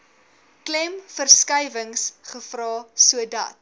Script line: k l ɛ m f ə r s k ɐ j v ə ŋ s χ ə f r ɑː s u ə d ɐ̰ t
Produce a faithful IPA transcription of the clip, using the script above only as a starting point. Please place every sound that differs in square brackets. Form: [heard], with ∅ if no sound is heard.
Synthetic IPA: k l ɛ m f ə r s k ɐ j v ə ŋ s χ ə f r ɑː s u ə d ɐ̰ t